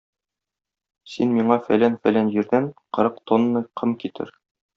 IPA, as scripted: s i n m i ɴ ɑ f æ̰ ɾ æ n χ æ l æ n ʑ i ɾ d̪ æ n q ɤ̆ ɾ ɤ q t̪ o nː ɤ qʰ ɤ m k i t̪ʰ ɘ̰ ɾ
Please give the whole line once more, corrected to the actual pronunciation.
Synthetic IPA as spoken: s i n m i ɴ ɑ f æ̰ l æ n f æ l æ n ʑ i ɾ d̪ æ n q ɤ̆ ɾ ɤ q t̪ o nː ɤ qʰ ɤ m k i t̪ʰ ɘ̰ ɾ